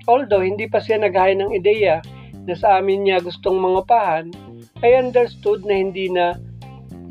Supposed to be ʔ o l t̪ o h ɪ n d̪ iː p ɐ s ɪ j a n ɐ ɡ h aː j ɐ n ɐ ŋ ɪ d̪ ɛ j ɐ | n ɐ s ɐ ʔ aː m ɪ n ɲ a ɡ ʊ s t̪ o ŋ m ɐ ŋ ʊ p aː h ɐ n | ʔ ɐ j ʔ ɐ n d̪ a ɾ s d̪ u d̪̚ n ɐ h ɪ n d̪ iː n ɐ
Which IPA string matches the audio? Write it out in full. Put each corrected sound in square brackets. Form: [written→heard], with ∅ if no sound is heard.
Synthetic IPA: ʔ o l [t̪→d̪] o h ɪ n d̪ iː p ɐ s ɪ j a n ɐ ɡ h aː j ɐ n ɐ ŋ ɪ d̪ ɛ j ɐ | n ɐ s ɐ ʔ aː m ɪ n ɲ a ɡ ʊ s t̪ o ŋ m ɐ ŋ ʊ p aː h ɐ n | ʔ ɐ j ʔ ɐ n d̪ [a→ɛ] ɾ s [d̪→t̪] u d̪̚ n ɐ h ɪ n d̪ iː n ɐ